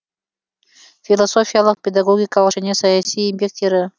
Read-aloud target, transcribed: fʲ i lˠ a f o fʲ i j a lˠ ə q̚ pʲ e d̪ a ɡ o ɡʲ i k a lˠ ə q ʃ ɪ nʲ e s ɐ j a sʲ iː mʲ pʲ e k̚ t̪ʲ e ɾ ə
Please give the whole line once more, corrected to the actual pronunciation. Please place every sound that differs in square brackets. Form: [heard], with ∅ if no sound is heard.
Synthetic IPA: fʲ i lˠ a [s] o fʲ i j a lˠ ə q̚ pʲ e d̪ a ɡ o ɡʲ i k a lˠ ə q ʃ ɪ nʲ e s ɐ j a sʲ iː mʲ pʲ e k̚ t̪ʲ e ɾ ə

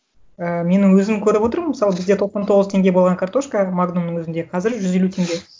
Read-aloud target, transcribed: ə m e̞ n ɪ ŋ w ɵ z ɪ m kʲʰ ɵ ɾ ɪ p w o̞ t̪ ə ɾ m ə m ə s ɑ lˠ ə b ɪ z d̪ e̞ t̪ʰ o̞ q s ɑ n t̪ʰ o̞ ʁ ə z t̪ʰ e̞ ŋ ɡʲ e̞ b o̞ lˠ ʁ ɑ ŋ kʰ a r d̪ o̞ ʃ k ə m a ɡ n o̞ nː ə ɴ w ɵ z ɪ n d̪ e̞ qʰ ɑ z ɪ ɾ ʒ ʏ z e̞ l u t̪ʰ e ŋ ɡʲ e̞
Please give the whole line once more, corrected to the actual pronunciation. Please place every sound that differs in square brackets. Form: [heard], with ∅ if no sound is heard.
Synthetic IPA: ə m e̞ n ɪ ŋ w ɵ z ɪ m kʲʰ ɵ ɾ ɪ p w o̞ t̪ ə ɾ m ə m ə s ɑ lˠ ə b ɪ z d̪ e̞ t̪ʰ o̞ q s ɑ n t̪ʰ o̞ ʁ ə z t̪ʰ e̞ ŋ ɡʲ e̞ b o̞ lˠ ʁ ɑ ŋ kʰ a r [t̪] o̞ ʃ k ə m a ɡ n o̞ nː ə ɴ w ɵ z ɪ n d̪ e̞ qʰ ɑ z ɪ ɾ ʒ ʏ z e̞ l u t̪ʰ e ŋ ɡʲ e̞

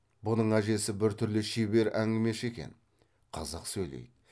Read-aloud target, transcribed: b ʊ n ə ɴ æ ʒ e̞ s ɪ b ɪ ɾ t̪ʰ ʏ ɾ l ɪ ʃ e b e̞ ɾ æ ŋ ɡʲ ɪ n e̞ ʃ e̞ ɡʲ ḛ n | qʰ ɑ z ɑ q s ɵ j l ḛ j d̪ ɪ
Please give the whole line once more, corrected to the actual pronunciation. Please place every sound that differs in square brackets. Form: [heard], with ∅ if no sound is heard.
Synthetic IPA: b ʊ n ə ɴ æ ʒ e̞ s ɪ b ɪ ɾ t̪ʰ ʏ ɾ l ɪ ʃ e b e̞ ɾ æ ŋ ɡʲ ɪ [m] e̞ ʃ e̞ [kʲ] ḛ n | qʰ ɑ z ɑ q s ɵ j l ḛ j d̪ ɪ

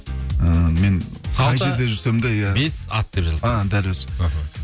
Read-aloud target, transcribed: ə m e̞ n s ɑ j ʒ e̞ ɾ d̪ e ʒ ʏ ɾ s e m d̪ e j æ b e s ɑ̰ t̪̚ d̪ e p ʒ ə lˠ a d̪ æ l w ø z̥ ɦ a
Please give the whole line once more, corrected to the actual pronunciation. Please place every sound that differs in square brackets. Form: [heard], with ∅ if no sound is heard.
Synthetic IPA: ə m e̞ n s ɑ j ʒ e̞ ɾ d̪ e ʒ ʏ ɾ s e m d̪ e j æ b e s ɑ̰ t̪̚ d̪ e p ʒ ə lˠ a d̪ æ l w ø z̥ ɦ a

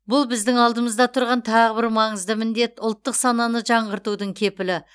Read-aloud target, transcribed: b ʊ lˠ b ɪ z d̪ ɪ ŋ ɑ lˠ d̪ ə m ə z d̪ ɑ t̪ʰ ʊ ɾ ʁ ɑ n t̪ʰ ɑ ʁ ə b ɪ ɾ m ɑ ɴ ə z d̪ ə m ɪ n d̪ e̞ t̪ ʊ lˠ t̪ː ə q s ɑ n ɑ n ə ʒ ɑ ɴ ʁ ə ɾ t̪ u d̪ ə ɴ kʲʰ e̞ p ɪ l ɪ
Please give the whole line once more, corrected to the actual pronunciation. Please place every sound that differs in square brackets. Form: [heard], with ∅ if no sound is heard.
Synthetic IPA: b ʊ lˠ b ɪ z d̪ ɪ ŋ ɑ lˠ d̪ ə m ə z d̪ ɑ t̪ʰ ʊ ɾ ʁ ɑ n t̪ʰ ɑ ʁ ə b ɪ ɾ m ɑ ɴ ə z d̪ ə m ɪ n d̪ e̞ t̪ ʊ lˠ t̪ː ə q s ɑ n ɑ n ə ʒ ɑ ɴ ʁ ə ɾ t̪ u d̪ ə ɴ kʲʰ e̞ p ɪ l ɪ

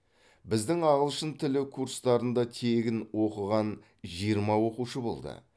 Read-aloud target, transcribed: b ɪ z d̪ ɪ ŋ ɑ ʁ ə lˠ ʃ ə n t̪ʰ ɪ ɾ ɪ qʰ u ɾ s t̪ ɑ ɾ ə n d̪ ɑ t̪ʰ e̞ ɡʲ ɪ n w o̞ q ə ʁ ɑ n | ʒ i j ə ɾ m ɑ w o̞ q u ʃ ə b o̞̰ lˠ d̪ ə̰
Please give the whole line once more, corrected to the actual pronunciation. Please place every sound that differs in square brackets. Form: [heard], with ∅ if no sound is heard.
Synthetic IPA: b ɪ z d̪ ɪ ŋ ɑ ʁ ə lˠ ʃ ə n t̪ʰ ɪ [l] ɪ [kʰ] u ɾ s t̪ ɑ ɾ ə n d̪ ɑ t̪ʰ e̞ ɡʲ ɪ n w o̞ q ə ʁ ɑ n | ʒ i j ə ɾ m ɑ w o̞ q u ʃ ə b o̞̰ lˠ d̪ ə̰

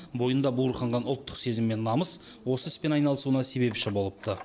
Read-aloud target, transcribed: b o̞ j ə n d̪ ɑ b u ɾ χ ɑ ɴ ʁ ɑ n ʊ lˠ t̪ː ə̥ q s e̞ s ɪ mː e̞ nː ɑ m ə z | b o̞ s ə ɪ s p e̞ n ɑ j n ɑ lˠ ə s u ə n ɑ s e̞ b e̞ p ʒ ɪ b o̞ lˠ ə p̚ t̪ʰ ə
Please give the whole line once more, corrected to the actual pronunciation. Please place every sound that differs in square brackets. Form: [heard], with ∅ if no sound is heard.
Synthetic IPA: b o̞ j ə n d̪ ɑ b u ɾ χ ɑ ɴ ʁ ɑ n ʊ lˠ t̪ː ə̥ q s e̞ [z] ɪ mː e̞ nː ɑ m ə [s] | [w] o̞ s ə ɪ s p e̞ n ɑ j n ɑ lˠ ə s u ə n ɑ s e̞ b e̞ p [ʃ] ɪ b o̞ lˠ ə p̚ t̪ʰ ə

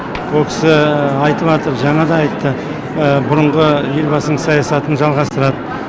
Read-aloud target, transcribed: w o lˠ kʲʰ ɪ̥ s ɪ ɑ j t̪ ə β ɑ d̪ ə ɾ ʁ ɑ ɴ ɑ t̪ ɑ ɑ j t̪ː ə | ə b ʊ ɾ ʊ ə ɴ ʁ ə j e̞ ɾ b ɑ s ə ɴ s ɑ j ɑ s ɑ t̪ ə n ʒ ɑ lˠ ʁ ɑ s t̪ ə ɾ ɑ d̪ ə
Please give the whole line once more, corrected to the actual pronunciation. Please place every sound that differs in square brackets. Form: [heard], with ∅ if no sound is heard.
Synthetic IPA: w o lˠ kʲʰ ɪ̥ s ɪ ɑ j t̪ ə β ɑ [t̪] ə ɾ [ʒ] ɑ ɴ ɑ [d̪] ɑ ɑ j t̪ː ə | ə b ʊ ɾ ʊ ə ɴ ʁ ə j e̞ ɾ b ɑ s ə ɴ s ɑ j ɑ s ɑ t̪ ə n ʒ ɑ lˠ ʁ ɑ s t̪ ə ɾ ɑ d̪ ə

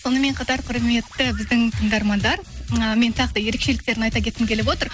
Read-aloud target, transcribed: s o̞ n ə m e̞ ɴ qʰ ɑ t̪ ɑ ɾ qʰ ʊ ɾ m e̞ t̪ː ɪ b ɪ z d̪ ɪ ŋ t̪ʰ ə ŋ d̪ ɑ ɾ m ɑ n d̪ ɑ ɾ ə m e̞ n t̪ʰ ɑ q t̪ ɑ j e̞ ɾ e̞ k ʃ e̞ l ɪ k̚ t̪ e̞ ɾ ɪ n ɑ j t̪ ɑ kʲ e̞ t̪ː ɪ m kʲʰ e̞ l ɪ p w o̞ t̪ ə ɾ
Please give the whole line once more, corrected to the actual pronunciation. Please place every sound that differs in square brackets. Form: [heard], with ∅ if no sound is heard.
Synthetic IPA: s o̞ n ə m e̞ ɴ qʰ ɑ t̪ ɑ ɾ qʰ ʊ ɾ m e̞ t̪ː ɪ b ɪ z d̪ ɪ ŋ t̪ʰ ə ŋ d̪ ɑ ɾ m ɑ n d̪ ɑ ɾ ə m e̞ n t̪ʰ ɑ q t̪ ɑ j e̞ ɾ e̞ k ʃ e̞ l ɪ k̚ t̪ e̞ ɾ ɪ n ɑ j t̪ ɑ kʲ e̞ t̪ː ɪ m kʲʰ e̞ l ɪ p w o̞ t̪ ə ɾ

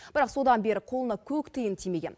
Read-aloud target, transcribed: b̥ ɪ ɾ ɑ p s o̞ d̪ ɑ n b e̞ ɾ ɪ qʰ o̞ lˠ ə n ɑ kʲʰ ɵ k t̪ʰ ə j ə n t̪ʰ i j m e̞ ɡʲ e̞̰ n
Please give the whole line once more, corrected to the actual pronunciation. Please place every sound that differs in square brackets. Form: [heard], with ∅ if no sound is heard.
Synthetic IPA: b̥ ɪ ɾ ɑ [q] s o̞ d̪ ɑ n b e̞ ɾ ɪ qʰ o̞ lˠ ə n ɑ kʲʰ ɵ k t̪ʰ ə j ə n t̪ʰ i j m e̞ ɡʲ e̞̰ n

